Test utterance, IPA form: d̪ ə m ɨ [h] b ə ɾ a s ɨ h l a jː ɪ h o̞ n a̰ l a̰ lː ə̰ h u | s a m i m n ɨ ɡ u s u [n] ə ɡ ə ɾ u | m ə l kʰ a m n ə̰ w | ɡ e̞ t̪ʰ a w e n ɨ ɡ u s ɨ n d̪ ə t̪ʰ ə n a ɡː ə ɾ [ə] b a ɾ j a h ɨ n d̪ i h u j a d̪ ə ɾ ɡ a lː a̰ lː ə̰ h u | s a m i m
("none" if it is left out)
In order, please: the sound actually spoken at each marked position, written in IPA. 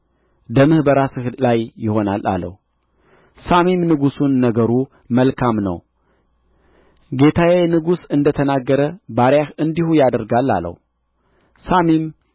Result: h, nː, ə

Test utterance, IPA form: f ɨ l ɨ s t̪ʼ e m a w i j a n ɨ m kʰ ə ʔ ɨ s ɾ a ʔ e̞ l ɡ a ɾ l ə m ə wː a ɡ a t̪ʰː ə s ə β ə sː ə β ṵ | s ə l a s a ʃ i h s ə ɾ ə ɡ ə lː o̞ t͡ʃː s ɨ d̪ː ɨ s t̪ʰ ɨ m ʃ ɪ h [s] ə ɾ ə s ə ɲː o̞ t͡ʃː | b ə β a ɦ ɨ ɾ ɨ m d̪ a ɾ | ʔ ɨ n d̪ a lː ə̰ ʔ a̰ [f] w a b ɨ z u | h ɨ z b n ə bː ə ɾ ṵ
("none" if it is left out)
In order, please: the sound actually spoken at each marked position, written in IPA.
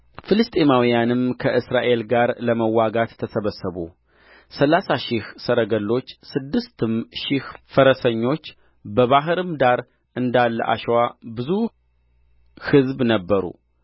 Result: f, ʃ

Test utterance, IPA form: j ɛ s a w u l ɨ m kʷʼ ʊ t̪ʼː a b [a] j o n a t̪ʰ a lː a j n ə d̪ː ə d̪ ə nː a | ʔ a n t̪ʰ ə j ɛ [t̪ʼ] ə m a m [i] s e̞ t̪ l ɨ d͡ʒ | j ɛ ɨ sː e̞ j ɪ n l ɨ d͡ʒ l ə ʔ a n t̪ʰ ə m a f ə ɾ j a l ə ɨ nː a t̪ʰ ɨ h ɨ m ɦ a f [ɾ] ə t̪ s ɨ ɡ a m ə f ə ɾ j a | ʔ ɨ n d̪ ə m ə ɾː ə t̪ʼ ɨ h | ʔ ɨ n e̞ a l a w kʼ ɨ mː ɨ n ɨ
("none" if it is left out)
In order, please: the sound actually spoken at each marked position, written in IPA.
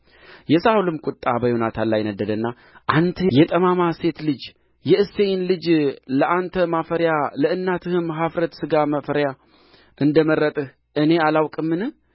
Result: ə, t̪ʼ, a, ɾ

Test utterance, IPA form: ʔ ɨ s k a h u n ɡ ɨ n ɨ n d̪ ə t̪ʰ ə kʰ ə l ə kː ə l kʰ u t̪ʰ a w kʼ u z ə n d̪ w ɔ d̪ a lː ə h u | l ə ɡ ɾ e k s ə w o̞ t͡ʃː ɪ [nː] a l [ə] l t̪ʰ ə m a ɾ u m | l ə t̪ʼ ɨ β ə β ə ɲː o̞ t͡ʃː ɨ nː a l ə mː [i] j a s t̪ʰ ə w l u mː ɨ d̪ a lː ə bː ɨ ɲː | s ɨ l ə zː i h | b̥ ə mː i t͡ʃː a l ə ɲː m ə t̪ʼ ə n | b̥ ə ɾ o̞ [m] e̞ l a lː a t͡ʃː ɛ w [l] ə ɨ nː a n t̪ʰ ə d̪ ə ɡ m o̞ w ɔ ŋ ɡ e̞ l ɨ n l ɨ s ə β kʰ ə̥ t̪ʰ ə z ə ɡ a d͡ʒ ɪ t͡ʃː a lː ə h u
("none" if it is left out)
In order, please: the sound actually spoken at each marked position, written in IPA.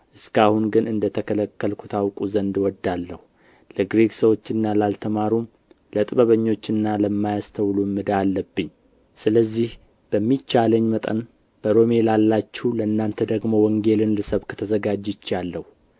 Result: nː, a, a, m, l

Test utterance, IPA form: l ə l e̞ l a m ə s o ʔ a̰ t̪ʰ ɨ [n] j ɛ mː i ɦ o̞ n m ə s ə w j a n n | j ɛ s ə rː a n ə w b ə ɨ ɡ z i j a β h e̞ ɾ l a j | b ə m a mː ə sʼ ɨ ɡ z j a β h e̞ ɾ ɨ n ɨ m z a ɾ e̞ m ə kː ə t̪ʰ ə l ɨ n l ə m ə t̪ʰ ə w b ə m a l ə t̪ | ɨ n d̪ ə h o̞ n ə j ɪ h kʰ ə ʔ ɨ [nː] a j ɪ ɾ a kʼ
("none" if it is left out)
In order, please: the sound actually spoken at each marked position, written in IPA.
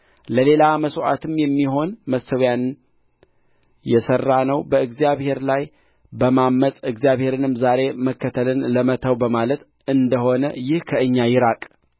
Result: m, ɲː

